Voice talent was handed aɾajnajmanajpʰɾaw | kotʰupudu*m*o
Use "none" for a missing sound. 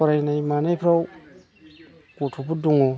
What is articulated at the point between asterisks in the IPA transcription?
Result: ŋ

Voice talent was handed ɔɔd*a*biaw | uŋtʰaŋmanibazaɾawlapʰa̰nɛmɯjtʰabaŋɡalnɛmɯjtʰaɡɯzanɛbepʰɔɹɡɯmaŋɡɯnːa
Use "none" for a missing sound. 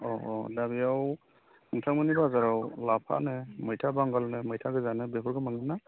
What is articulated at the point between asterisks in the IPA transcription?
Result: a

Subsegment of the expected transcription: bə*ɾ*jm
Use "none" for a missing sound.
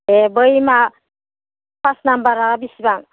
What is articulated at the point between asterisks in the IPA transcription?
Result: none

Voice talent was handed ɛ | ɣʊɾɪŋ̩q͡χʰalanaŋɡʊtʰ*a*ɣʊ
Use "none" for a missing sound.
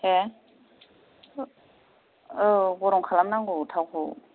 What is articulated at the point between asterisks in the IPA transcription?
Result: a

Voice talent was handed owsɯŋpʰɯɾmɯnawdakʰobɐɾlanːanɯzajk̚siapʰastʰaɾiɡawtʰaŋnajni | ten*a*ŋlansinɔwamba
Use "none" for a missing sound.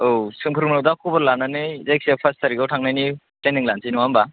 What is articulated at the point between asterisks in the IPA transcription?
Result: i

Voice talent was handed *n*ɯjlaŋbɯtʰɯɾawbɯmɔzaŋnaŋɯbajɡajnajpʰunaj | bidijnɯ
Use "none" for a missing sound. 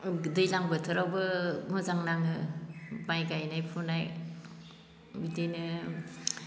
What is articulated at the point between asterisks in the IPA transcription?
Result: d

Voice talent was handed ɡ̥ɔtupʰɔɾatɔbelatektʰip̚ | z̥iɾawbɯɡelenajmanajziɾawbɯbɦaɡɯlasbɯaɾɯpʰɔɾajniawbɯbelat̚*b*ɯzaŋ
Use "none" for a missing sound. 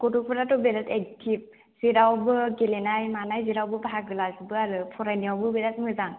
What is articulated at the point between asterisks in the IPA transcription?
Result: m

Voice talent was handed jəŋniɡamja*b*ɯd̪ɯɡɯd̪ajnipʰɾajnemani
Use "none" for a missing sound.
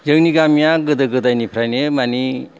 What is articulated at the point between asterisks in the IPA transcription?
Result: ɡ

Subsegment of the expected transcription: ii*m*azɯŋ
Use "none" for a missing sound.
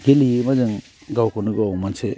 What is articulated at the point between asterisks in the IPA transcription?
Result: m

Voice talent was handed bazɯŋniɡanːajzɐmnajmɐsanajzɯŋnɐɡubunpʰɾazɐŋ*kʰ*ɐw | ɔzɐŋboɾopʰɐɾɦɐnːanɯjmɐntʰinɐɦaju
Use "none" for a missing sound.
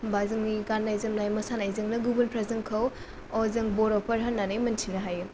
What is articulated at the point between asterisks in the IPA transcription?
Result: kʰ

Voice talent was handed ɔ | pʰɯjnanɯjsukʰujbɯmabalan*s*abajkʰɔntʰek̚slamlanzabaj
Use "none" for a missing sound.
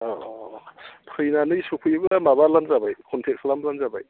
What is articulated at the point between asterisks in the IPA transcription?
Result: z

